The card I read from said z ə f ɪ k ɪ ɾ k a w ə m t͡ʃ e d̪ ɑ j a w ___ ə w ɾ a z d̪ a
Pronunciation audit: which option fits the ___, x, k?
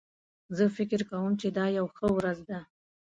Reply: x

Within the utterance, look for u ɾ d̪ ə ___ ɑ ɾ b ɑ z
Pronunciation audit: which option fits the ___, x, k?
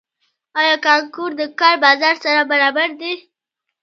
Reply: k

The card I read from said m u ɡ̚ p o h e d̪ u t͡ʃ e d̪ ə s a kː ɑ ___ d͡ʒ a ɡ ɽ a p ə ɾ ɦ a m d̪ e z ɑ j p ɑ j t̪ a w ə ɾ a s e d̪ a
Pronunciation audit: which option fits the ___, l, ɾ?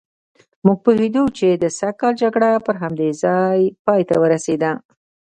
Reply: l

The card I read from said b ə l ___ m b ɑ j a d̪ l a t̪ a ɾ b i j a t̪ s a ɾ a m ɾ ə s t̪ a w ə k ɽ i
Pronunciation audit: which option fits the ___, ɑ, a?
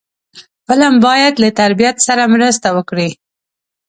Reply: a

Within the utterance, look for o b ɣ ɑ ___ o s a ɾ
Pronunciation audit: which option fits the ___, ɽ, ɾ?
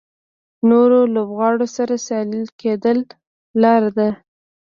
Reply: ɽ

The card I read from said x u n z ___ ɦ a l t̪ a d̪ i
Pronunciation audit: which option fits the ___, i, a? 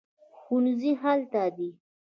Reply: i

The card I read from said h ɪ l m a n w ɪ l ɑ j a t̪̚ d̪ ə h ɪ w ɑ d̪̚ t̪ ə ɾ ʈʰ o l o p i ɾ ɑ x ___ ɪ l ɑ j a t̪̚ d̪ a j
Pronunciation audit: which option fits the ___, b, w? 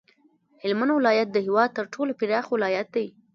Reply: w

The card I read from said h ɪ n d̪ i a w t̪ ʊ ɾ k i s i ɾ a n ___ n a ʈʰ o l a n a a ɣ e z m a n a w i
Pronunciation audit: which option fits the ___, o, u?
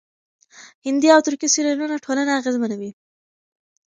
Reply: u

